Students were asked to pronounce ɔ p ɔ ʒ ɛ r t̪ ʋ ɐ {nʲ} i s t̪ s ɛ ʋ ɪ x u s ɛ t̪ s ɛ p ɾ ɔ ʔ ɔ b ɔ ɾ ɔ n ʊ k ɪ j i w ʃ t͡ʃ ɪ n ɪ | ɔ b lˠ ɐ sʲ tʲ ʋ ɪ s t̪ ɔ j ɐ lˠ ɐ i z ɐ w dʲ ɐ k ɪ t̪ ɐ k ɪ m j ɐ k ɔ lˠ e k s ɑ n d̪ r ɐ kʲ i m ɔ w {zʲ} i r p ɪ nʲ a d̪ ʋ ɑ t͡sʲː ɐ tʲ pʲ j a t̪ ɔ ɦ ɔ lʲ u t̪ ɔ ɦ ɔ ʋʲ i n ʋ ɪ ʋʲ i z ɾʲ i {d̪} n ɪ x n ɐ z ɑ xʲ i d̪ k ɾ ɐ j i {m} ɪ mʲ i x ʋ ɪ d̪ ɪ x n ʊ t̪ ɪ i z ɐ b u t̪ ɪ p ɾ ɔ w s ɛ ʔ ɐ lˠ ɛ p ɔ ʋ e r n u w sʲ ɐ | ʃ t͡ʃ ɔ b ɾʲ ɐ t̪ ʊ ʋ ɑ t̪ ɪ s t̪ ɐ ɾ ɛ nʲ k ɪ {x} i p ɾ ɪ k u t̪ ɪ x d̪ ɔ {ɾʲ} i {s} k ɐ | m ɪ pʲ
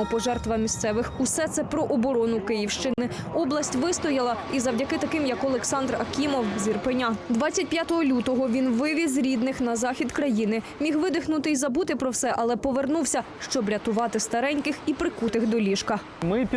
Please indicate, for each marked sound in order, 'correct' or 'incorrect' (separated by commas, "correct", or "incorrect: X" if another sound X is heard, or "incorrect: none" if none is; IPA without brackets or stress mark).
incorrect: mʲ, correct, correct, incorrect: n, correct, incorrect: lʲ, incorrect: ʃ